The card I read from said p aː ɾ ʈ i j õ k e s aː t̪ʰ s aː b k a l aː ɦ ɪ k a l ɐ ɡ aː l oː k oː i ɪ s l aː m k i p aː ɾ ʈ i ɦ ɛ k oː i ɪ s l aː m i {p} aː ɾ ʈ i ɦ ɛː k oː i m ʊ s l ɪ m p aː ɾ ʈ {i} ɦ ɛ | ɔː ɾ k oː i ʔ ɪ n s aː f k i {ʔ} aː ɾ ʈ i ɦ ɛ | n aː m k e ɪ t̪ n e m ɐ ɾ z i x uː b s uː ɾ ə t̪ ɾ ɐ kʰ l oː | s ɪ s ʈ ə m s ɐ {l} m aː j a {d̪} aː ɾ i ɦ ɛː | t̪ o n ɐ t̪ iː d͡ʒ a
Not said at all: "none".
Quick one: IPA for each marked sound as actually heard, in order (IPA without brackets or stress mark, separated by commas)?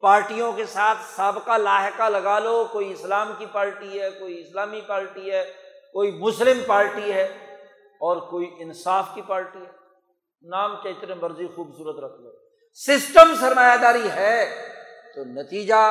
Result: p, i, p, ɾ, d̪